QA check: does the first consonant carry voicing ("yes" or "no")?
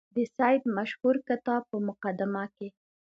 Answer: yes